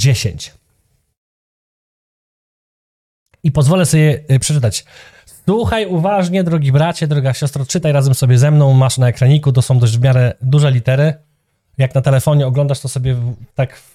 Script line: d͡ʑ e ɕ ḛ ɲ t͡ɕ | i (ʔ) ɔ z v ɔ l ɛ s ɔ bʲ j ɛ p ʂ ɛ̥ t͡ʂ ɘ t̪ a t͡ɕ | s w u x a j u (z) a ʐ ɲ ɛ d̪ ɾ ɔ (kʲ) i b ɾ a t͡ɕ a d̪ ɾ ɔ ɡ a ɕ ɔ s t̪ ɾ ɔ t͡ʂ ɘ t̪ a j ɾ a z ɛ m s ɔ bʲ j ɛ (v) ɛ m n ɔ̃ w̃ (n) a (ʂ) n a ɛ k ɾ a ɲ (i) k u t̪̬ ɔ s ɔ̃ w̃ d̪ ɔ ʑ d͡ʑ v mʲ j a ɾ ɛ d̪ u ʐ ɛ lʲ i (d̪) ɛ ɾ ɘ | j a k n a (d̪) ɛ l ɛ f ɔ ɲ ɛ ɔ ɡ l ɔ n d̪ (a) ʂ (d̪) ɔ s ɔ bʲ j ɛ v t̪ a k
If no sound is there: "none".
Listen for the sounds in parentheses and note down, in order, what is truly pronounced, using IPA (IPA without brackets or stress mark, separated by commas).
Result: p, v, ɡʲ, z, m, ʂ, i, t̪, t̪, a, t̪